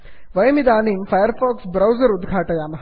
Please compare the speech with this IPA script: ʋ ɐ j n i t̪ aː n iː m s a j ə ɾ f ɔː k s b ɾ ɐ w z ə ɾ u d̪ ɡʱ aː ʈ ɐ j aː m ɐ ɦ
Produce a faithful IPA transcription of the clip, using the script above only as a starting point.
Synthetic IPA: ʋ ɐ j m i d̪ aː n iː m f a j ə ɾ f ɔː k s b ɾ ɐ w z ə ɾ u d̪ ɡʱ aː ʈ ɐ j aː m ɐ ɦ